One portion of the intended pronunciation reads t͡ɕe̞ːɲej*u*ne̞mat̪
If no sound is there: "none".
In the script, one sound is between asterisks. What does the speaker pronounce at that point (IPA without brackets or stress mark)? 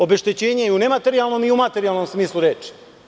u